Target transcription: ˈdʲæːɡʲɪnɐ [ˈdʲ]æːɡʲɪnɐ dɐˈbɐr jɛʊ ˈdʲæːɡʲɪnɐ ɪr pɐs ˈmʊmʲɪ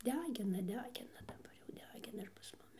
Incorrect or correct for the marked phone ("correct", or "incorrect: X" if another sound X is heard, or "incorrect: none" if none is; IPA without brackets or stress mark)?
correct